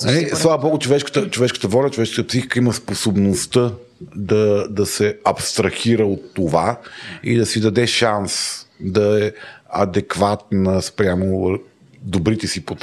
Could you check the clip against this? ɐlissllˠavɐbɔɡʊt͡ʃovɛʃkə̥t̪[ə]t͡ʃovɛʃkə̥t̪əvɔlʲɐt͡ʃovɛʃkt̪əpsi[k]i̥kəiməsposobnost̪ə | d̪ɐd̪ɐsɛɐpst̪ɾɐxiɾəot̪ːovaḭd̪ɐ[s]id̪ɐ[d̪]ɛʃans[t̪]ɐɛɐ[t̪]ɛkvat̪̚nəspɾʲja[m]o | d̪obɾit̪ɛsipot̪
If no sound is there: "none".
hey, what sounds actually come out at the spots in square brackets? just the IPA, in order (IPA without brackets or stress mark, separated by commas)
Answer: ə, x, s, d̪, d̪, d̪, m